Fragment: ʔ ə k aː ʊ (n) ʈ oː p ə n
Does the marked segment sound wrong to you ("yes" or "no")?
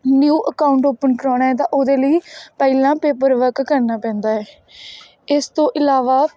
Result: yes